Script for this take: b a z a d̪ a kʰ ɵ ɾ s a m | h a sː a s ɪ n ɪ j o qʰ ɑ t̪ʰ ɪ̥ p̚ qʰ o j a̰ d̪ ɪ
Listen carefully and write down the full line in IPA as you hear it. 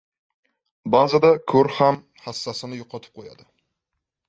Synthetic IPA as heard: b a z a d̪ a kʰ ɵ ɾ h a m | h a sː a s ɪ n ɪ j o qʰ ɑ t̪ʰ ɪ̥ p̚ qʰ o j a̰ d̪ ɪ